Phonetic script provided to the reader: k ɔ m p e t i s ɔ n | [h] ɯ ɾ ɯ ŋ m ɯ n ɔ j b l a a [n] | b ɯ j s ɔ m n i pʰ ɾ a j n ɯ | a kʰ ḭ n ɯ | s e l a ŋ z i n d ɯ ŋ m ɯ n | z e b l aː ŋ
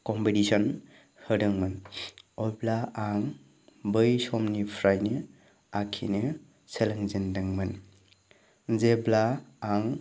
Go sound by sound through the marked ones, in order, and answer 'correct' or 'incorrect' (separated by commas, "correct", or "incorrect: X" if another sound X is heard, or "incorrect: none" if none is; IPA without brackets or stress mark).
correct, incorrect: ŋ